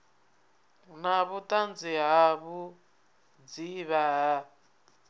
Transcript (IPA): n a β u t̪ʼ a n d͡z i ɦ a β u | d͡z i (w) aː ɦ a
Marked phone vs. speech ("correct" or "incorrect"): incorrect